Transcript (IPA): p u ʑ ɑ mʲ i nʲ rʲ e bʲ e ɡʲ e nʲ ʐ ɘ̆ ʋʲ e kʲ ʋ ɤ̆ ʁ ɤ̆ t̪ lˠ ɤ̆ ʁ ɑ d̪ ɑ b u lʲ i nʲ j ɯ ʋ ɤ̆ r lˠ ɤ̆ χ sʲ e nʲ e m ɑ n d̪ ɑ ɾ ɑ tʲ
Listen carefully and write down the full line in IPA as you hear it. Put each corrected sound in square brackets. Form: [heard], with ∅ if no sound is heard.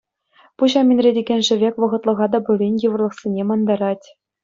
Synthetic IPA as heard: p u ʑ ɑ mʲ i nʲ rʲ e [dʲ] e ɡʲ e nʲ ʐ ɘ̆ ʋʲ e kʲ ʋ ɤ̆ ʁ ɤ̆ t̪ lˠ ɤ̆ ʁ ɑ d̪ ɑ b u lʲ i nʲ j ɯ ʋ ɤ̆ r lˠ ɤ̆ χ sʲ e nʲ e m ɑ n d̪ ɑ ɾ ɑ tʲ